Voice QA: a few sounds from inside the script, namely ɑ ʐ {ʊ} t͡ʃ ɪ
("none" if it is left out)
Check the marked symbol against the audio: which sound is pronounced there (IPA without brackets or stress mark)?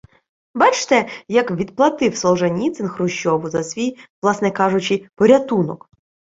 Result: ʊ